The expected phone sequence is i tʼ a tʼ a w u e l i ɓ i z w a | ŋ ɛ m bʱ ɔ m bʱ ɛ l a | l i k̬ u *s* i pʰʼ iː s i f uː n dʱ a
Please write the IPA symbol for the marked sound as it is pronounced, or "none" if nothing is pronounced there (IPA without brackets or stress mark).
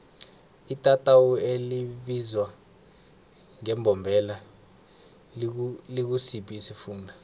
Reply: s